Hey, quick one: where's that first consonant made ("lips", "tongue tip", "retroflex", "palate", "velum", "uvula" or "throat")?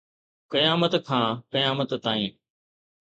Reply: velum